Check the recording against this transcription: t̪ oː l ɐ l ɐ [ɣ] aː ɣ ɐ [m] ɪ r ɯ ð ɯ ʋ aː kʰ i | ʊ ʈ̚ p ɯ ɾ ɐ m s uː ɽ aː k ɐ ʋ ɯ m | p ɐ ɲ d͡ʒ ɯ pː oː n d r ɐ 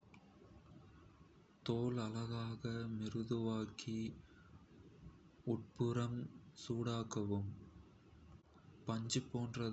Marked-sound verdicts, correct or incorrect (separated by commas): correct, correct